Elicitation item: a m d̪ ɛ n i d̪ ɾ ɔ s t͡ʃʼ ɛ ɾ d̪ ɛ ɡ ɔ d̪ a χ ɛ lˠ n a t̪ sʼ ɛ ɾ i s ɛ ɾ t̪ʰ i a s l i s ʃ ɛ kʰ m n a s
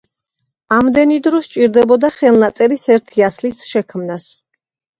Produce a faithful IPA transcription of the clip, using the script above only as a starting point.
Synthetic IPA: a m d̪ ɛ n i d̪ ɾ ɔ s t͡ʃʼ i ɾ d̪ ɛ b ɔ d̪ a χ ɛ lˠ n a t̪ sʼ ɛ ɾ i s ɛ ɾ t̪ʰ i a s l i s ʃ ɛ kʰ m n a s